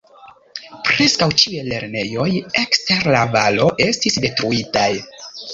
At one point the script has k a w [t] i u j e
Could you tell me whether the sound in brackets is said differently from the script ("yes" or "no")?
yes